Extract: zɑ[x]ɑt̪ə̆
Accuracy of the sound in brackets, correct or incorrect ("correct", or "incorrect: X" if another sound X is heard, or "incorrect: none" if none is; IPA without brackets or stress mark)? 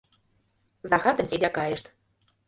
correct